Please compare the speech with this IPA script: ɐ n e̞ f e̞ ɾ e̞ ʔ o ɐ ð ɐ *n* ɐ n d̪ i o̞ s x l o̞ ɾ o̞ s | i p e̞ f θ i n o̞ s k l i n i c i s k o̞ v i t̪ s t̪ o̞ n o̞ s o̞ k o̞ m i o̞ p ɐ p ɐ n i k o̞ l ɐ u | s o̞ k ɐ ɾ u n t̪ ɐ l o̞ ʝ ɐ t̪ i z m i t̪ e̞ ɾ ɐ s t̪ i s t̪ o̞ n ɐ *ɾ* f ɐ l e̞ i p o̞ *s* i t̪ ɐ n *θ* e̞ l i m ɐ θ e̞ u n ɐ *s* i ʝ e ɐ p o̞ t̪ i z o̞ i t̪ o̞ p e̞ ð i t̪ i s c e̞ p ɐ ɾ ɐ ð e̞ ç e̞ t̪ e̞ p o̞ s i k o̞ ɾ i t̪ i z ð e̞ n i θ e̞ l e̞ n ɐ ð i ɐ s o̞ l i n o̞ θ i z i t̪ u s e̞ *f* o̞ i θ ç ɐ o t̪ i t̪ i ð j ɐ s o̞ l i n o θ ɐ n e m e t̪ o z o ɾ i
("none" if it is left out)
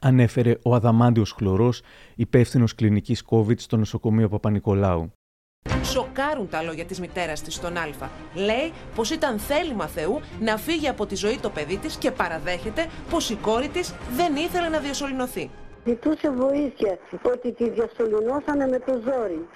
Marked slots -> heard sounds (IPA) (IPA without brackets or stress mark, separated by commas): m, l, s, θ, f, v